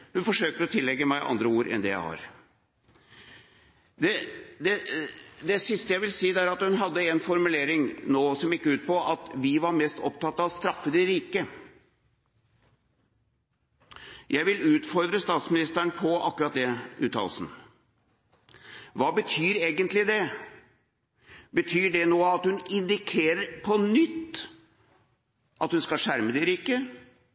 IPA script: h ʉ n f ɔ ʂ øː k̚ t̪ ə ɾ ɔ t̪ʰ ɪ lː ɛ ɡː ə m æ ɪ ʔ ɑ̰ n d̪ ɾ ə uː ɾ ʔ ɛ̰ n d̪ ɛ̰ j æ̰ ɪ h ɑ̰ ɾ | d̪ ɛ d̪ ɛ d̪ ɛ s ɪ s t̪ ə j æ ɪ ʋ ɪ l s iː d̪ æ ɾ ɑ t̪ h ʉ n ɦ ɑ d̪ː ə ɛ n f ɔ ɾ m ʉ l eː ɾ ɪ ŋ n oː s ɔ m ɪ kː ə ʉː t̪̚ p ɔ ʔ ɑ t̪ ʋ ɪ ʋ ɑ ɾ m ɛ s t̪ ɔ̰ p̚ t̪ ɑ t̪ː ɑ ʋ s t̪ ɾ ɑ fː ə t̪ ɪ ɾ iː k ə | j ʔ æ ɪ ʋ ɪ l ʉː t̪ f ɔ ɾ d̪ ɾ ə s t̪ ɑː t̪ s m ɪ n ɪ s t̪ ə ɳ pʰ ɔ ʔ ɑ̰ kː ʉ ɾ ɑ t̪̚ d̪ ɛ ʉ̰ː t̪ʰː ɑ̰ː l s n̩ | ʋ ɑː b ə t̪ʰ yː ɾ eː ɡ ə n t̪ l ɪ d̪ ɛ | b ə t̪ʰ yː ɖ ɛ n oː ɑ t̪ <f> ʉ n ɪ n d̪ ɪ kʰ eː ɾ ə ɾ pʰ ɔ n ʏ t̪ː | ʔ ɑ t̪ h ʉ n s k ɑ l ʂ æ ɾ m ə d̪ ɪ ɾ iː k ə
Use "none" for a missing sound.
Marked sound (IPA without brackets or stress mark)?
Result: h